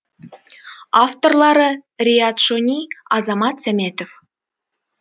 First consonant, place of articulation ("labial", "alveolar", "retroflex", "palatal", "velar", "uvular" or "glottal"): labial